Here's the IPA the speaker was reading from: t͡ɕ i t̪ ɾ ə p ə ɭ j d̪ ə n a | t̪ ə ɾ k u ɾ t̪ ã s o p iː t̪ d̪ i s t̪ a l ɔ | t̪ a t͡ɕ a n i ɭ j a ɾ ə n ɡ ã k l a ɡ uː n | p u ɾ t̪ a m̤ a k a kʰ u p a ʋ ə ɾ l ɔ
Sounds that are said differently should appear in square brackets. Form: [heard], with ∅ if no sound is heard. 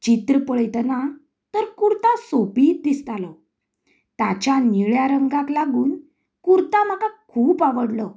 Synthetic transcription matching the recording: t͡ɕ i t̪ ɾ ə p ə ɭ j [t̪] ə n a | t̪ ə ɾ k u ɾ t̪ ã s o p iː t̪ d̪ i s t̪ a l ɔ | t̪ a t͡ɕ a n i ɭ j a ɾ ə [ŋ] ɡ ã k l a ɡ uː n | [k] u ɾ t̪ a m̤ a k a kʰ [uː] p a ʋ ə [ɽ] l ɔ